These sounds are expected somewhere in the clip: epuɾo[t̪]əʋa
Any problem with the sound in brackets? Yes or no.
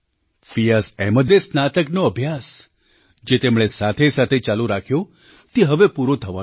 yes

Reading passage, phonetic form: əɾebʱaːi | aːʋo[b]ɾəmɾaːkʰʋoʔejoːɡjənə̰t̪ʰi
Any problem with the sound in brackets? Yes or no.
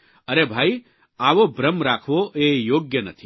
no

